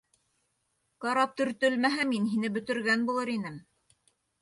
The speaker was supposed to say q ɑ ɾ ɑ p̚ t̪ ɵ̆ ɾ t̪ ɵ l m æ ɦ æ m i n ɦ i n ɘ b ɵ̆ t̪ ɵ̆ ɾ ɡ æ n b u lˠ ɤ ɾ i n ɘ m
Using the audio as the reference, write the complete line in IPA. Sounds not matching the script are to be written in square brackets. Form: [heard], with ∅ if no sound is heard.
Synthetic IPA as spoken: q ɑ ɾ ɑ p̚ t̪ ɵ̆ ɾ t̪ ɵ l m æ ɦ æ m i n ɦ i n ɘ b ɵ̆ t̪ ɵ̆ ɾ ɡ æ n b u lˠ ɤ ɾ i n ɘ m